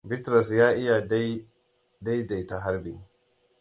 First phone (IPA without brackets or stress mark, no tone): b